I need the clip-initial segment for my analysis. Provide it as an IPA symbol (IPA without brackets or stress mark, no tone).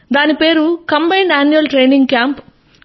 d̪